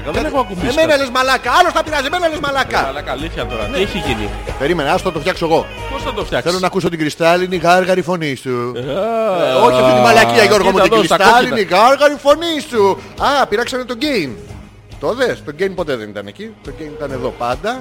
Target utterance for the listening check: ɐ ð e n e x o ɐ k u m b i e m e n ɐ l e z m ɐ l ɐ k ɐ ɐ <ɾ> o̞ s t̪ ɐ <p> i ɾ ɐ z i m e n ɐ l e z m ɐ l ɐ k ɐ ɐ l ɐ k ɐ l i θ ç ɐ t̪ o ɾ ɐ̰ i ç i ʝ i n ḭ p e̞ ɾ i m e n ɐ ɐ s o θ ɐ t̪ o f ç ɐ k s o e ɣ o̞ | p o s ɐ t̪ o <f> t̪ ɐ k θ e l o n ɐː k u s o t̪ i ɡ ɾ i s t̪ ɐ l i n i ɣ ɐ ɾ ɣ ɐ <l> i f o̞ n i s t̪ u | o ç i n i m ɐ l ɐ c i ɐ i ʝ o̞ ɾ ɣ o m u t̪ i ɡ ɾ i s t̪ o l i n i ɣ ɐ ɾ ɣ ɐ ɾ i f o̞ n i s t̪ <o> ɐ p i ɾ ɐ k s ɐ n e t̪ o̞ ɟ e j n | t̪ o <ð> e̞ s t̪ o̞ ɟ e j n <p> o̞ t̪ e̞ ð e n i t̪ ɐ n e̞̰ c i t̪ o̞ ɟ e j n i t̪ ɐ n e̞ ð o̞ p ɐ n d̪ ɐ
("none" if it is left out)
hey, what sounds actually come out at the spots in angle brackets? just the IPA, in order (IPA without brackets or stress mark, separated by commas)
l, p, f, ɾ, u, ð, p